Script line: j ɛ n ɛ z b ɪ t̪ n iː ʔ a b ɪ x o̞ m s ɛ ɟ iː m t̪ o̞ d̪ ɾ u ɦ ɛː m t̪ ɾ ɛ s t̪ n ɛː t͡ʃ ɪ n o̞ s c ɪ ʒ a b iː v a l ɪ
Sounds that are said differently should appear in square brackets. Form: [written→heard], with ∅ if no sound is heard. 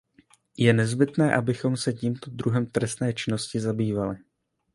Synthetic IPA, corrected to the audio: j ɛ n ɛ z b ɪ t̪ n [iː→ɛː] ʔ a b ɪ x o̞ m s ɛ [ɟ→c] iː m t̪ o̞ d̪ ɾ u ɦ [ɛː→ɛ] m t̪ ɾ ɛ s t̪ n ɛː t͡ʃ ɪ n o̞ s c ɪ [ʒ→z] a b iː v a l ɪ